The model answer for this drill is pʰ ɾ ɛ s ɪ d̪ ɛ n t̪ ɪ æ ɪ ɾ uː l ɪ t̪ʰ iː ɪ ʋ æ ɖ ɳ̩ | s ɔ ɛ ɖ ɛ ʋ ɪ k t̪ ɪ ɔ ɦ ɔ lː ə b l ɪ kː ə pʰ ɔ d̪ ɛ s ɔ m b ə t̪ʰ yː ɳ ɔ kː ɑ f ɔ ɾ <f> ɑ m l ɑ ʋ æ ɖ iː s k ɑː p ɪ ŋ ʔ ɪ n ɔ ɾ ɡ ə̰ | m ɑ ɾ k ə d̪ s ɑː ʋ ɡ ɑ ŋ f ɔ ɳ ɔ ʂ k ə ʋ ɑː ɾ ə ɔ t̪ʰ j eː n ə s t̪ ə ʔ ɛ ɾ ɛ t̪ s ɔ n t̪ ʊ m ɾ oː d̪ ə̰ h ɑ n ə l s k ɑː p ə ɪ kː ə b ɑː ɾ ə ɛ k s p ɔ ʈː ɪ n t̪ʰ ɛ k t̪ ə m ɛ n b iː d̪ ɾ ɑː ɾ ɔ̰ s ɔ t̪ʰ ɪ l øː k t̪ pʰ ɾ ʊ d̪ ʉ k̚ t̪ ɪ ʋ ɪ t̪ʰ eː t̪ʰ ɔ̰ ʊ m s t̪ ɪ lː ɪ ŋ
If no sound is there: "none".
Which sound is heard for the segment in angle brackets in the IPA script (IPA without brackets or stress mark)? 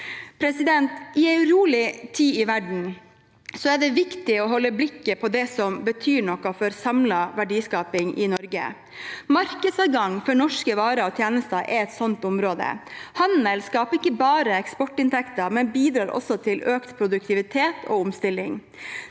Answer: s